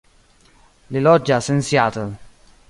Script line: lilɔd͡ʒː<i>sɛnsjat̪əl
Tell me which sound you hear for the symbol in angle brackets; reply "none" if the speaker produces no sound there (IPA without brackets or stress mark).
a